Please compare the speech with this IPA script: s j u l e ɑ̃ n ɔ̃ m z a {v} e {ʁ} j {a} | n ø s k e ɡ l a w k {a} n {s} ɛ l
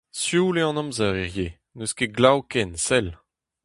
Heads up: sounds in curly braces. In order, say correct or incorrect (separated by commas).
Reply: incorrect, correct, incorrect, incorrect, correct